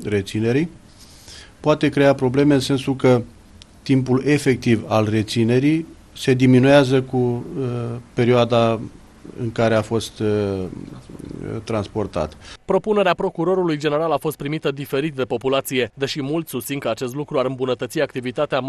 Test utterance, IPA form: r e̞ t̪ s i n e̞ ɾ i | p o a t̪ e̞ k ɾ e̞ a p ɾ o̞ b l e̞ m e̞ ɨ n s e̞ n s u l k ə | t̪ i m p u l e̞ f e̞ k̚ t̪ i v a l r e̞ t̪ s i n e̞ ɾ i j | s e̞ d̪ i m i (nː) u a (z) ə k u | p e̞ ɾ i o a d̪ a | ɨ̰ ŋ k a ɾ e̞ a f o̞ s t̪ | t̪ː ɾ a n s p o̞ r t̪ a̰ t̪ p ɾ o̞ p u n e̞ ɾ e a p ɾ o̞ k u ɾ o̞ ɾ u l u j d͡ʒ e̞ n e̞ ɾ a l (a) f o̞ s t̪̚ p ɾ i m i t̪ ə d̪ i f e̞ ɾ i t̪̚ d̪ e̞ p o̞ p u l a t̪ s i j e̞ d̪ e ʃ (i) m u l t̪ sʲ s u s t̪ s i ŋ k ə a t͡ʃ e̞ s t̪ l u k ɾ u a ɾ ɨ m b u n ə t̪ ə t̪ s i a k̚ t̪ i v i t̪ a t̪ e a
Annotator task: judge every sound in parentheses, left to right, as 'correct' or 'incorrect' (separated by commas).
incorrect, correct, correct, correct